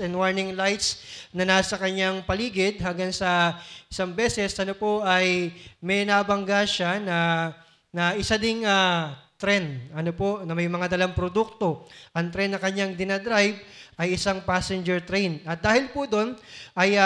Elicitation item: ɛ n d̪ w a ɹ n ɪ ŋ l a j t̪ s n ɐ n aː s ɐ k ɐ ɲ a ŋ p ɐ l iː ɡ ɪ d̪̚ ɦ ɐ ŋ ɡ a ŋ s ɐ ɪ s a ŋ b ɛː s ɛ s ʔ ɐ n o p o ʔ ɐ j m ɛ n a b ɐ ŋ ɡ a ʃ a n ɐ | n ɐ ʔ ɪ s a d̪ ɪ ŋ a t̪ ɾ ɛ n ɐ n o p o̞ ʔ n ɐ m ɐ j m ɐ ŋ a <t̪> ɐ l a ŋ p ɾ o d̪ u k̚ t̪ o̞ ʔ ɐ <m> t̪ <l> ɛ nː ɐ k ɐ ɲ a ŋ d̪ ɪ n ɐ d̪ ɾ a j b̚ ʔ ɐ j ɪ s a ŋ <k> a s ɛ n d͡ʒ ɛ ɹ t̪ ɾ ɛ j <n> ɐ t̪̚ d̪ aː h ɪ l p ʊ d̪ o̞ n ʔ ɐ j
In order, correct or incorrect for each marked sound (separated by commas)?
incorrect, incorrect, incorrect, incorrect, correct